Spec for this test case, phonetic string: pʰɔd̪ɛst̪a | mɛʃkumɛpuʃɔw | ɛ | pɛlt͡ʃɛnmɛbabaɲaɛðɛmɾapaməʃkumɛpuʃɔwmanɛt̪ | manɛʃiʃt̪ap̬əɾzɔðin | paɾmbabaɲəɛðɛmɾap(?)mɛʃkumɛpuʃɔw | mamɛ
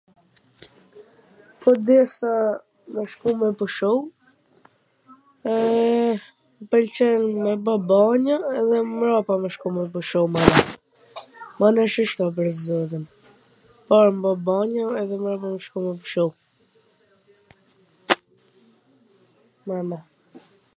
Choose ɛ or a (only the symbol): a